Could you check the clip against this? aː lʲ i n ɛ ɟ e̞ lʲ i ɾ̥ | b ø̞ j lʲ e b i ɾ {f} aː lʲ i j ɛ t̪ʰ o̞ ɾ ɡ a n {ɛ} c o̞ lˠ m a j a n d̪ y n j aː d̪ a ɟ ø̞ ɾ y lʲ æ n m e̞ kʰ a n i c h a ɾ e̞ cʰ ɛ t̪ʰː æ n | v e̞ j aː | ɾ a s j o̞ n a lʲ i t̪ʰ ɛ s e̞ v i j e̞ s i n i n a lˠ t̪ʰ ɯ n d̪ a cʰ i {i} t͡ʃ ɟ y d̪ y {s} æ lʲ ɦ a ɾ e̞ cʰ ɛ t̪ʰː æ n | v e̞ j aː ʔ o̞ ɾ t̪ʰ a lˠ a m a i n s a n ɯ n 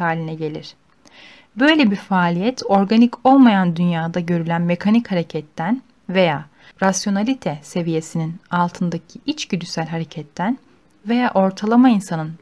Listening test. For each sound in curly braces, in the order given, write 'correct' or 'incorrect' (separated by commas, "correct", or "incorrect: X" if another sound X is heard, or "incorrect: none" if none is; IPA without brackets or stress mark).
correct, incorrect: i, correct, correct